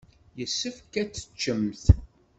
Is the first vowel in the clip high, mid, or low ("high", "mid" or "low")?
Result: mid